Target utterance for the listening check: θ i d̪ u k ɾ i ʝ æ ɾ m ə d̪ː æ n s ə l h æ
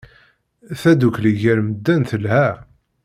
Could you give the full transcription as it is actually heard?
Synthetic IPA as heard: θ æ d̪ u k l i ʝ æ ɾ m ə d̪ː æ n θ ə l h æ